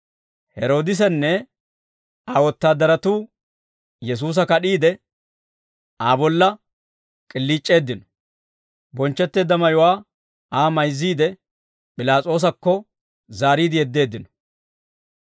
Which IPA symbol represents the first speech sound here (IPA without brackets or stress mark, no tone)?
h